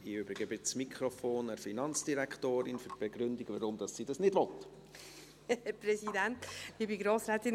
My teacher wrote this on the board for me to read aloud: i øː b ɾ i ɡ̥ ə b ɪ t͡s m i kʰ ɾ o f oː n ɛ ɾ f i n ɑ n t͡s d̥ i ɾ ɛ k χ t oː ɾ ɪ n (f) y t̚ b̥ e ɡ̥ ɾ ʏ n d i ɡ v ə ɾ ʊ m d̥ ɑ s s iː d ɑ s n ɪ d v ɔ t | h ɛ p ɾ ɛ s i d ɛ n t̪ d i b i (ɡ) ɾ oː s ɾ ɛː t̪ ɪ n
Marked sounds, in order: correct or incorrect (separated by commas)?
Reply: correct, correct